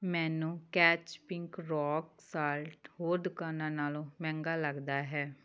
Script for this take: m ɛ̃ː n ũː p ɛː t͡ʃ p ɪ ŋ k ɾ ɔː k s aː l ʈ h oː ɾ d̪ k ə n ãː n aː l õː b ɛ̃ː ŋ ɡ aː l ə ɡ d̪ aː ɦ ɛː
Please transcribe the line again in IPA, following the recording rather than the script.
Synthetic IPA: m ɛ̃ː n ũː k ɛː t͡ʃ p ɪ ŋ k ɾ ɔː k s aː l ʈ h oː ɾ d̪ k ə n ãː n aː l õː m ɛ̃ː ŋ ɡ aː l ə ɡ d̪ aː ɦ ɛː